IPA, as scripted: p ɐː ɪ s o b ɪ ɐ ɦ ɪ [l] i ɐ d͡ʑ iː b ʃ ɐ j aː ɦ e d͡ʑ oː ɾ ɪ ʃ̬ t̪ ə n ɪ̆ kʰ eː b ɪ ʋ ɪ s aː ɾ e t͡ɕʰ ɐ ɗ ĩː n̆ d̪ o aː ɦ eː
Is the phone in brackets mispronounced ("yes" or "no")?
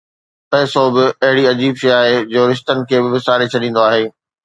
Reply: yes